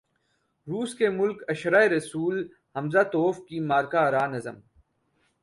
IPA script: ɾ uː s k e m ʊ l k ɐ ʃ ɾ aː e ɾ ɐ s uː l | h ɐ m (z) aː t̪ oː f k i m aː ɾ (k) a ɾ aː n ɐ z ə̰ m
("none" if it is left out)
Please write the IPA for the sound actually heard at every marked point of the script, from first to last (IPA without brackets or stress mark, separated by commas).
z, k